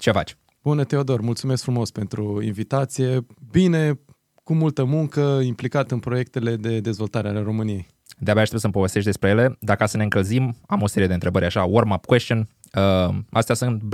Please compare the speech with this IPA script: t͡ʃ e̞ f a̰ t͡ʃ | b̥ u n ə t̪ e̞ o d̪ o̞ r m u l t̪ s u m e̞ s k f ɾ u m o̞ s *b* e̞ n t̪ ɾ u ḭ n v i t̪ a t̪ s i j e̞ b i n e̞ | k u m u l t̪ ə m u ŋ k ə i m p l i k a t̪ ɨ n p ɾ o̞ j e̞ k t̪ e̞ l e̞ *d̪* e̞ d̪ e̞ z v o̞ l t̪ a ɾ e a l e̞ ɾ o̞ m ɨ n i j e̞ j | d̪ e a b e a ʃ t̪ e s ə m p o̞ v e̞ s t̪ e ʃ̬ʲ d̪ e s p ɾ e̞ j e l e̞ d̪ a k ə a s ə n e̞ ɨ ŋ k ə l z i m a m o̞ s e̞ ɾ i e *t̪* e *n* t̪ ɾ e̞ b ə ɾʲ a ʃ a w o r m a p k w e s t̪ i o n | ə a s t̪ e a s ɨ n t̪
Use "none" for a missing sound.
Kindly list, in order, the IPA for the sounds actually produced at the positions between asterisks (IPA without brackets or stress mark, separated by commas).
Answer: p, d̪, d̪, n